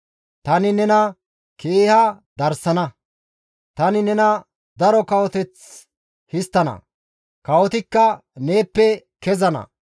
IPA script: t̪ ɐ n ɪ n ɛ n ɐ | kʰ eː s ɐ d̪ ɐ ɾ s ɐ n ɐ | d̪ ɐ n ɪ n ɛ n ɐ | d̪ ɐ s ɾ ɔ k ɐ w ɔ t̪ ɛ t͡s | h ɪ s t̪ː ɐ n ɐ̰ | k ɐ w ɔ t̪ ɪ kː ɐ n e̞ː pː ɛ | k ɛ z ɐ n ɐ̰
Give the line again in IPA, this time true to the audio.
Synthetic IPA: t̪ ɐ n ɪ n ɛ n ɐ | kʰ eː h ɐ d̪ ɐ ɾ s ɐ n ɐ | t̪ ɐ n ɪ n ɛ n ɐ | d̪ ɐ ɾ ɔ k ɐ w ɔ t̪ ɛ t͡s | h ɪ s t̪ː ɐ n ɐ̰ | k ɐ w ɔ t̪ ɪ kː ɐ n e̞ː pː ɛ | k ɛ z ɐ n ɐ̰

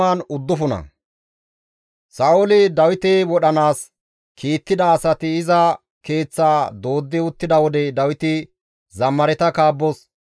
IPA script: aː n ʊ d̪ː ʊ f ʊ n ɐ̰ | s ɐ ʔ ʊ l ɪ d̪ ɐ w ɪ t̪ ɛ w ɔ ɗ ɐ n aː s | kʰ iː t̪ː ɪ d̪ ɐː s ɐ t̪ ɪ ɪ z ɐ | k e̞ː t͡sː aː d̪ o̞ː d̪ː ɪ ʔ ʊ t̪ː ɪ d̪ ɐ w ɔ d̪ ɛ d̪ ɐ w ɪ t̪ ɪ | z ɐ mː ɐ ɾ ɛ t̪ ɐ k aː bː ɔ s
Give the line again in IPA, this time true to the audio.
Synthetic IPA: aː n ʊ d̪ː ʊ f ʊ n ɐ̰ | s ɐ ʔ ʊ l ɪ d̪ ɐ w ɪ t̪ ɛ w ɔ ɗ ɐ n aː s | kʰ iː t̪ː ɪ d̪ ɐː s ɐ t̪ ɪ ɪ z ɐ | k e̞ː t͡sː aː d̪ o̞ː d̪ː ɪ ʊ t̪ː ɪ d̪ ɐ w ɔ d̪ ɛ d̪ ɐ w ɪ t̪ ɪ | z ɐ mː ɐ ɾ ɛ t̪ ɐ k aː bː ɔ s

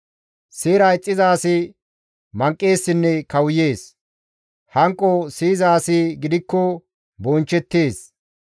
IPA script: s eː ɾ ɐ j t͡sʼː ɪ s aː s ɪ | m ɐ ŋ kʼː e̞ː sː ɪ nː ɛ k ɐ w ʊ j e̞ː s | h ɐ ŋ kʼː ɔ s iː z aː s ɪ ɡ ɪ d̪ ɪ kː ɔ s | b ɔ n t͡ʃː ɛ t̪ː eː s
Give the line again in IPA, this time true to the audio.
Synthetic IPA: s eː ɾ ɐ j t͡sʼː ɪ z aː s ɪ | m ɐ ŋ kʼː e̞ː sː ɪ nː ɛ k ɐ w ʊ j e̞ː s | h ɐ ŋ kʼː ɔ s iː z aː s ɪ ɡ ɪ d̪ ɪ kː ɔ | b ɔ n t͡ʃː ɛ t̪ː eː s

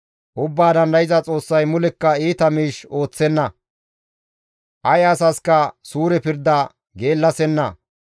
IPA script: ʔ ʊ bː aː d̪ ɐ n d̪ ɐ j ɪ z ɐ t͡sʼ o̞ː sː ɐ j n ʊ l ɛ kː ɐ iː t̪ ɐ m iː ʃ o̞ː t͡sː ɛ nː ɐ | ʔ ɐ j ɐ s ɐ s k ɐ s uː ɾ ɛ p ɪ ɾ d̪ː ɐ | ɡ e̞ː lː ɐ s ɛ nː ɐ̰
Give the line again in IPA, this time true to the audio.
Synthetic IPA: ʔ ʊ bː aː d̪ ɐ n d̪ ɐ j ɪ z ɐ t͡sʼ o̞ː sː ɐ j m ʊ l ɛ kː ɐ iː t̪ ɐ m iː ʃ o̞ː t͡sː ɛ nː ɐ | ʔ ɐ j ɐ s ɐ s k ɐ s uː ɾ ɛ p ɪ ɾ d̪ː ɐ | ɡ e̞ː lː ɐ s ɛ nː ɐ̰

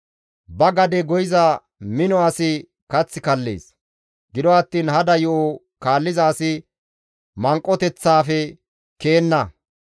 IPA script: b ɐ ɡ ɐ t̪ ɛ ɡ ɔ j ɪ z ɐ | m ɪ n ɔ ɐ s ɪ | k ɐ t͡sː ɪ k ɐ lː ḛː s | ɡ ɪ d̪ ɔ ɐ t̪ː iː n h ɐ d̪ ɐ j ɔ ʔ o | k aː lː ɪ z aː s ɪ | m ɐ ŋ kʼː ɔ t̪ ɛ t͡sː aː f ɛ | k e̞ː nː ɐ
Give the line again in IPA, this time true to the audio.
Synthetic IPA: b ɐ ɡ ɐ d̪ ɛ ɡ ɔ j ɪ z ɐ | m ɪ n ɔ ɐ s ɪ | k ɐ t͡sː ɪ k ɐ lː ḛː s | ɡ ɪ d̪ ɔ ɐ t̪ː iː n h ɐ d̪ ɐ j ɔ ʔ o | k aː lː ɪ z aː s ɪ | m ɐ ŋ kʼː ɔ t̪ ɛ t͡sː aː f ɛ | k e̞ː nː ɐ

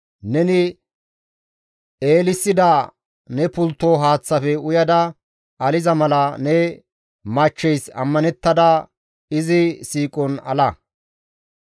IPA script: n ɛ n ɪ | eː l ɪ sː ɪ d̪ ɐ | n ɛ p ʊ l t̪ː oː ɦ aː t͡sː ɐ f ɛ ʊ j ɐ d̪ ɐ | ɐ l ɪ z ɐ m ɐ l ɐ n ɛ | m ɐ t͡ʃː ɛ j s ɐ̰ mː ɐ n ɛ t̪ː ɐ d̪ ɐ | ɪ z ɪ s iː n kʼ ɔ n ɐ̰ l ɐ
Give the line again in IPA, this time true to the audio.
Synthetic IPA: n ɛ n ɪ | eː l ɪ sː ɪ d̪ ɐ | n ɛ p ʊ l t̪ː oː ɦ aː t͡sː ɐ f ɛ ʊ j ɐ d̪ ɐ | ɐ l ɪ z ɐ m ɐ l ɐ n ɛ | m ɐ t͡ʃː ɛ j s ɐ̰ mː ɐ n ɛ t̪ː ɐ d̪ ɐ | ɪ z ɪ s iː kʼ ɔ n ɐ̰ l ɐ

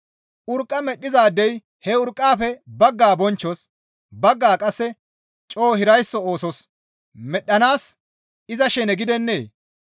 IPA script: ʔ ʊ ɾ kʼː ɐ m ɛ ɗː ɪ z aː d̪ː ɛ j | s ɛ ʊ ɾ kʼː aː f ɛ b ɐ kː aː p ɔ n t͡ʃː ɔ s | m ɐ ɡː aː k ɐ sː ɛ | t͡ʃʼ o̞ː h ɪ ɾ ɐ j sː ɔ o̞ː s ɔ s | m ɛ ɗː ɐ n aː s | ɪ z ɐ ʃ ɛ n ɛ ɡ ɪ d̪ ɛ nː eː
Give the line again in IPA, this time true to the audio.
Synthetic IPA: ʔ ʊ ɾ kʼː ɐ m ɛ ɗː ɪ z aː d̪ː ɛ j | h ɛ ʊ ɾ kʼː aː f ɛ b ɐ ɡː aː b ɔ n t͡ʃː ɔ s | b ɐ ɡː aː kʼ ɐ sː ɛ | t͡ʃʼ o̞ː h ɪ ɾ ɐ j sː ɔ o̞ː s ɔ s | m ɛ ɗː ɐ n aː s | ɪ z ɐ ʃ ɛ n ɛ ɡ ɪ d̪ ɛ nː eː

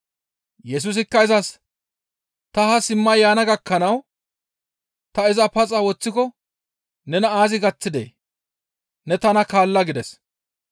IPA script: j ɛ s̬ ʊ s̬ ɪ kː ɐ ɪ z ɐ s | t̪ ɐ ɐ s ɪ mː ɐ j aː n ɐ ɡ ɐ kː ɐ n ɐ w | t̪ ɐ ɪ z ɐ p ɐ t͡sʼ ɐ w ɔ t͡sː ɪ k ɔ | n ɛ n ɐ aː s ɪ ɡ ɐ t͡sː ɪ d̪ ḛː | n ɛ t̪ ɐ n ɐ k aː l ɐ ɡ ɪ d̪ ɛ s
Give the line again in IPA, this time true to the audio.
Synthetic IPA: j ɛ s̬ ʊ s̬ ɪ kː ɐ ɪ z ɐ s | t̪ ɐ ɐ s ɪ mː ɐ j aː n ɐ ɡ ɐ kː ɐ n ɐ w | t̪ ɐ ɪ z ɐ p ɐ t͡sʼ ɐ w ɔ t͡sː ɪ k ɔ | n ɛ n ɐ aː z ɪ ɡ ɐ t͡sː ɪ d̪ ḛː | n ɛ t̪ ɐ n ɐ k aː lː ɐ ɡ ɪ d̪ ɛ s

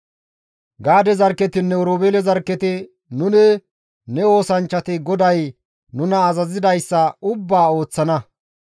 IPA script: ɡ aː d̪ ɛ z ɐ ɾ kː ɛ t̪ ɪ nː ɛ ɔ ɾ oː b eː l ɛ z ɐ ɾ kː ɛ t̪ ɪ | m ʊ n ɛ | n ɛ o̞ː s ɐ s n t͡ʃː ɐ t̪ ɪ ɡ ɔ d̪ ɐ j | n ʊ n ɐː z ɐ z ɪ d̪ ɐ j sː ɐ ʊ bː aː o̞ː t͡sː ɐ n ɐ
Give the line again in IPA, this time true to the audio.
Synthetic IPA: ɡ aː d̪ ɛ z ɐ ɾ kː ɛ t̪ ɪ nː ɛ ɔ ɾ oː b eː l ɛ z ɐ ɾ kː ɛ t̪ ɪ | n ʊ n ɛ | n ɛ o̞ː s ɐ n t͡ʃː ɐ t̪ ɪ ɡ ɔ d̪ ɐ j | n ʊ n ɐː z ɐ z ɪ d̪ ɐ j sː ɐ ʊ bː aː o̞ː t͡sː ɐ n ɐ

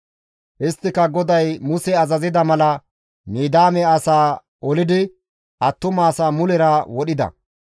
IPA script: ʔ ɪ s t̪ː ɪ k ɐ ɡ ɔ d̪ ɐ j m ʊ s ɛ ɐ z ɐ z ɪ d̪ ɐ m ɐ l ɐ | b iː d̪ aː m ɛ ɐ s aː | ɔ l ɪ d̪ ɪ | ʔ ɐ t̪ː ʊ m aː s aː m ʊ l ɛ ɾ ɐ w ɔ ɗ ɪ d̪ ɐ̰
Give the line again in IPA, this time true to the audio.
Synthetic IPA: ʔ ɪ s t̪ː ɪ k ɐ ɡ ɔ d̪ ɐ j m ʊ s ɛ ɐ z ɐ z ɪ d̪ ɐ m ɐ l ɐ | m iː d̪ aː m ɛ ɐ s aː | ɔ l ɪ d̪ ɪ | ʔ ɐ t̪ː ʊ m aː s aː m ʊ l ɛ ɾ ɐ w ɔ ɗ ɪ d̪ ɐ̰

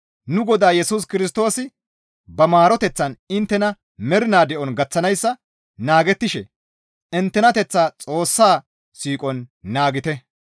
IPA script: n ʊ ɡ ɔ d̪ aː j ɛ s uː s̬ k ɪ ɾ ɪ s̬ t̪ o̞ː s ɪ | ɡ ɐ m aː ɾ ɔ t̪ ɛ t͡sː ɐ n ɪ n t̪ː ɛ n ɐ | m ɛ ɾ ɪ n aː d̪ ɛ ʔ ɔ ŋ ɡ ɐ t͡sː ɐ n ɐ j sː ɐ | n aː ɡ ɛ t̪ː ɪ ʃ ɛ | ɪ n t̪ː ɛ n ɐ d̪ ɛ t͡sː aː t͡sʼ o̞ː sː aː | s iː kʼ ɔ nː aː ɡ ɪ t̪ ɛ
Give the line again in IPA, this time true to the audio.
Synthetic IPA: n ʊ ɡ ɔ d̪ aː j ɛ s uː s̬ k ɪ ɾ ɪ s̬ t̪ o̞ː s ɪ | b ɐ m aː ɾ ɔ t̪ ɛ t͡sː ɐ n ɪ n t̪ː ɛ n ɐ | m ɛ ɾ ɪ n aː d̪ ɛ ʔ ɔ n ɡ ɐ t͡sː ɐ n ɐ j sː ɐ | n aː ɡ ɛ t̪ː ɪ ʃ ɛ | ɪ n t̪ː ɛ n ɐ t̪ ɛ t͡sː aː t͡sʼ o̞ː sː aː | s iː kʼ ɔ nː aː ɡ ɪ t̪ ɛ

